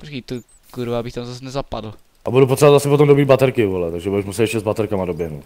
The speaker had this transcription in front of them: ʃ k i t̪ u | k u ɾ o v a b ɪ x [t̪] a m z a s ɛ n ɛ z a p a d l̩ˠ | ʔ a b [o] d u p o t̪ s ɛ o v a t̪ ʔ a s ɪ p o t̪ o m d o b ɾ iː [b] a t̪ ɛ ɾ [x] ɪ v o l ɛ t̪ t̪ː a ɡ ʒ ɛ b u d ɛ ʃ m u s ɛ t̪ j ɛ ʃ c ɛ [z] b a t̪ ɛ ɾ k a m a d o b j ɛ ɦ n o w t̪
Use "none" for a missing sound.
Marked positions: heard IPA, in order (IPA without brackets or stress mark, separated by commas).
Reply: t̪, u, b, k, z